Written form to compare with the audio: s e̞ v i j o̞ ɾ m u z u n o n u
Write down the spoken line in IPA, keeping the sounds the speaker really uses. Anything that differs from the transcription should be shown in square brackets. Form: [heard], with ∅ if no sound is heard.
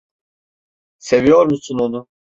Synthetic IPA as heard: s e̞ v i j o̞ ɾ m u [s] u n o n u